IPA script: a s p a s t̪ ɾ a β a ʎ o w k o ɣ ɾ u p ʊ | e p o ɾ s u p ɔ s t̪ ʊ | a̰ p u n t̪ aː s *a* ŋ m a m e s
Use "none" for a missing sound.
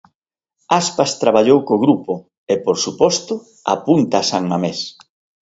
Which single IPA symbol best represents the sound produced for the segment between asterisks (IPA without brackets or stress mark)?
a